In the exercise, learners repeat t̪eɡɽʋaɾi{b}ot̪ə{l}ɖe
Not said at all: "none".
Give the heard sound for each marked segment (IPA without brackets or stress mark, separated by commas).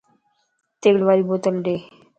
b, l